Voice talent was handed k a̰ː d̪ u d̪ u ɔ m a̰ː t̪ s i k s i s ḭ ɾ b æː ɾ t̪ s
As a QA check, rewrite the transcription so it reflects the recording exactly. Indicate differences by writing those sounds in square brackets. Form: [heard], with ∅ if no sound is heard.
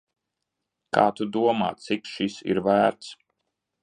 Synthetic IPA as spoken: k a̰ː [t̪] u d̪ u ɔ m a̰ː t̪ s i k [ʃ] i s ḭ ɾ [v] æː ɾ t̪ s